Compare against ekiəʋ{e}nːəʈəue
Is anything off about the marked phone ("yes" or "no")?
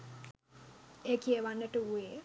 yes